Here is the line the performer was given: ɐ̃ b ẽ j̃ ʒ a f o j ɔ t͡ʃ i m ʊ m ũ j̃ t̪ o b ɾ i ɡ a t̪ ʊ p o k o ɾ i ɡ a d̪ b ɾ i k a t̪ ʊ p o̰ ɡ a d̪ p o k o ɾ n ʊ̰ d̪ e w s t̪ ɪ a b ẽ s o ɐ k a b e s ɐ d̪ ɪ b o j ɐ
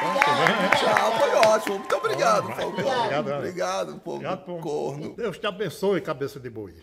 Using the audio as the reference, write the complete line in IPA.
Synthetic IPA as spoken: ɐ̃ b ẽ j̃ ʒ a f o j ɔ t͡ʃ i m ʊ m ũ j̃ t̪ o b ɾ i ɡ a d̪ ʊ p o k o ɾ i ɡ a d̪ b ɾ i ɡ a d̪ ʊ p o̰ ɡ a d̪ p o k o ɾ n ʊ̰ d̪ e w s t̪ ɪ a b ẽ s o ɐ k a b e s ɐ d̪ ɪ b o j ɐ